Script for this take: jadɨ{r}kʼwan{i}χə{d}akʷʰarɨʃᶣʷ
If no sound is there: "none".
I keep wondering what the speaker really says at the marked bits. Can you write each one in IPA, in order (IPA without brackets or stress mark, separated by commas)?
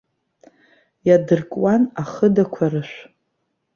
r, a, d